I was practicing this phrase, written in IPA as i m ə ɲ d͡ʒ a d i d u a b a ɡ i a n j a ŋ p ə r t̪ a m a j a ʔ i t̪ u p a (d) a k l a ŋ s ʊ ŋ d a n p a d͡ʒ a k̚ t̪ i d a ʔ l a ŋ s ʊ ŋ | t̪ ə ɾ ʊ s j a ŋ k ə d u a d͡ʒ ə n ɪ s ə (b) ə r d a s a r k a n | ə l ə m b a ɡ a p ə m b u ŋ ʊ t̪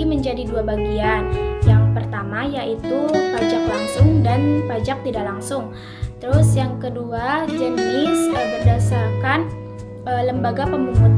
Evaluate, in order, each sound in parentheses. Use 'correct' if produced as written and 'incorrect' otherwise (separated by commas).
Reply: incorrect, correct